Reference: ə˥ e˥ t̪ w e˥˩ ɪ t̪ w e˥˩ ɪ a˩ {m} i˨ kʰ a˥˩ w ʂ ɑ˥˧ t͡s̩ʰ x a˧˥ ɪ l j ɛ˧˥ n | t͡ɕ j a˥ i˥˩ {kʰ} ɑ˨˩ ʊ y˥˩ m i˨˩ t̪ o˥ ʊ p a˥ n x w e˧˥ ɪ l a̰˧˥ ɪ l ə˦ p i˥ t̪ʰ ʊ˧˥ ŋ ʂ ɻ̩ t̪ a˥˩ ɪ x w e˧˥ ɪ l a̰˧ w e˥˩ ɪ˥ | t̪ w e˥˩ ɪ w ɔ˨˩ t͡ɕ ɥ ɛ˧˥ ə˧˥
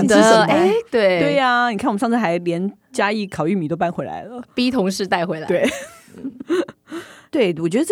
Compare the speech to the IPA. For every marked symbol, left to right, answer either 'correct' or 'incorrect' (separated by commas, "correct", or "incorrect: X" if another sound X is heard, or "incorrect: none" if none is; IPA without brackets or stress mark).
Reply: incorrect: n, correct